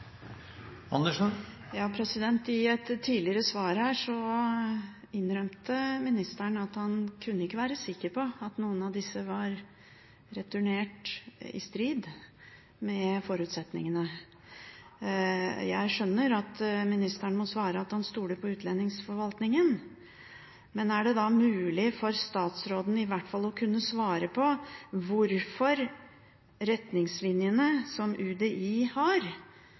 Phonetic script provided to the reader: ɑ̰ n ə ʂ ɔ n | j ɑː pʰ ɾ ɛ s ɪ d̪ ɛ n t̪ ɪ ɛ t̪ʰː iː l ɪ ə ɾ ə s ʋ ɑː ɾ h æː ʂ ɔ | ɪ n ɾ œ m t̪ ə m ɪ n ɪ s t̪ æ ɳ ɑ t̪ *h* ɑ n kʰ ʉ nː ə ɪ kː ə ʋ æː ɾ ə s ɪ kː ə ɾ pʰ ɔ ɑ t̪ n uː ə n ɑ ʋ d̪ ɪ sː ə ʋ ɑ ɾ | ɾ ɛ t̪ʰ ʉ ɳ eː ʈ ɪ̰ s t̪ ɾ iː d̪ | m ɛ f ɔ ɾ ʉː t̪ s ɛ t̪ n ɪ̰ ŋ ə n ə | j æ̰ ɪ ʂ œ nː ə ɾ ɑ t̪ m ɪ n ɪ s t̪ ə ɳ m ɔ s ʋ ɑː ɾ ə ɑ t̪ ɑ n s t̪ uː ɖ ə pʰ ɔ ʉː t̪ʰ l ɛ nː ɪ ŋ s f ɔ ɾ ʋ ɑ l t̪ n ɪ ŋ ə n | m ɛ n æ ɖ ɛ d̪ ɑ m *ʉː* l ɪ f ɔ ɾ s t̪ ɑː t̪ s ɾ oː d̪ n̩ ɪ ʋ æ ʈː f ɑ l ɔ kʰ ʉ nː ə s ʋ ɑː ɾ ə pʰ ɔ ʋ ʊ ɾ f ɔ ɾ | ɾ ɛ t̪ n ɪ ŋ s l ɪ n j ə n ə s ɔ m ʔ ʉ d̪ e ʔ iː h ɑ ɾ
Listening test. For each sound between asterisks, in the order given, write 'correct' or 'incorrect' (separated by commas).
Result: correct, correct